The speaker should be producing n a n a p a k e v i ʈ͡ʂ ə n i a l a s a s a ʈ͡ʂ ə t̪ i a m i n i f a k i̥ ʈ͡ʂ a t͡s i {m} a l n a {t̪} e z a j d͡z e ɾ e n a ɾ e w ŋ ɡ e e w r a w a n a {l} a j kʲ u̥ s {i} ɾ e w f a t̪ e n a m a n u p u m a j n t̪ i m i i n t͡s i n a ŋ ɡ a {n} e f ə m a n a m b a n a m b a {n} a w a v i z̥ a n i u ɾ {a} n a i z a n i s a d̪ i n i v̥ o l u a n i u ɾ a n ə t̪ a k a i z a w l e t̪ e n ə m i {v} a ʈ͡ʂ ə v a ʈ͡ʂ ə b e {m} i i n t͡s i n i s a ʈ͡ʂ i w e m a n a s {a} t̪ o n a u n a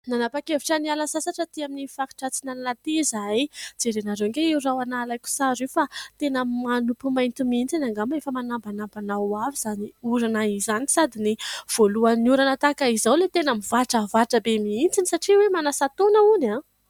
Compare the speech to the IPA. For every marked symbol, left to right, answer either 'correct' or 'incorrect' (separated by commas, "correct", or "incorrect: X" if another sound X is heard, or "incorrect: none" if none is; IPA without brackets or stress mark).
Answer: incorrect: n, correct, correct, incorrect: a, incorrect: m, correct, correct, correct, correct, correct